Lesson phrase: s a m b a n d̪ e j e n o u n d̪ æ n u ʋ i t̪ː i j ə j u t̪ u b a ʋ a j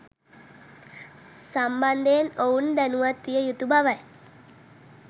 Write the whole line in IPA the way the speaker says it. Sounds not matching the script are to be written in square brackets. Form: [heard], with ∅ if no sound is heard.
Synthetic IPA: s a m b a n d̪ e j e n o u n d̪ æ n u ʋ [a] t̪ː i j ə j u t̪ u b a ʋ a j

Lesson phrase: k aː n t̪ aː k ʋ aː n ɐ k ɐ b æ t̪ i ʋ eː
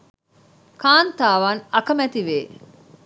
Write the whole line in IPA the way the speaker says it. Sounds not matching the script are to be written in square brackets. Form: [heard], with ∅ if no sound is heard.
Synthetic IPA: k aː n t̪ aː [∅] ʋ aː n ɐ k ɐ [m] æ t̪ i ʋ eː

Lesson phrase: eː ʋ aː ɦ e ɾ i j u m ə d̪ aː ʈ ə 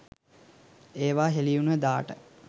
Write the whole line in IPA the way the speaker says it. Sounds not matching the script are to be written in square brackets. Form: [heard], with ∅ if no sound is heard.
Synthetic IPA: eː ʋ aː ɦ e [l] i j u [n] ə d̪ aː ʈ ə

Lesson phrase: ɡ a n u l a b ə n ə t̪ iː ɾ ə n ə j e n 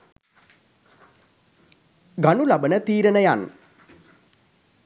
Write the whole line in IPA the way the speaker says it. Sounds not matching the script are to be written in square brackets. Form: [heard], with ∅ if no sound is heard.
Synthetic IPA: ɡ a n u l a b ə n ə t̪ iː ɾ ə n ə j [a] n

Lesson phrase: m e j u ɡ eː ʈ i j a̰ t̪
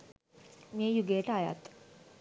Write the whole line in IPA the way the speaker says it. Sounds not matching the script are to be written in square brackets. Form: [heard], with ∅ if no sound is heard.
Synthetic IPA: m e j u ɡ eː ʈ [a] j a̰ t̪

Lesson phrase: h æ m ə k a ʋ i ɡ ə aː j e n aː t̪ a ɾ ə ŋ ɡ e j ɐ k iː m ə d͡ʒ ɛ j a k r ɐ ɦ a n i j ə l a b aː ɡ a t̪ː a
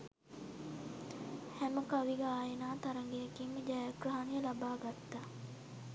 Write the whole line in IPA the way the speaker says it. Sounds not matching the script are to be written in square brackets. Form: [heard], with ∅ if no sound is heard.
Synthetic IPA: h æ m ə k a ʋ i ɡ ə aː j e n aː t̪ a ɾ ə ŋ ɡ e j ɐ k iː m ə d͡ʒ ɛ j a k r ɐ ɦ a n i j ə l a b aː ɡ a t̪ː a

